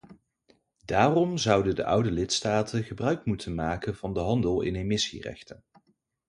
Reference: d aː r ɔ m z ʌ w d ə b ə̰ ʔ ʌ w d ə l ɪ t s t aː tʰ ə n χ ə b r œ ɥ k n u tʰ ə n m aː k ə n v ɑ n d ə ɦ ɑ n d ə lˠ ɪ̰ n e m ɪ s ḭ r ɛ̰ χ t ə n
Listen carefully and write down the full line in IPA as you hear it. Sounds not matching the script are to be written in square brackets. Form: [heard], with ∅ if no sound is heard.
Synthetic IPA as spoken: d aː r ɔ m z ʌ w d ə [d] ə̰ ʔ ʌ w d ə l ɪ t s t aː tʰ ə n χ ə b r œ ɥ k [m] u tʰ ə n m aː k ə n v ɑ n d ə ɦ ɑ n d ə lˠ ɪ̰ n e m ɪ s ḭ r ɛ̰ χ t ə n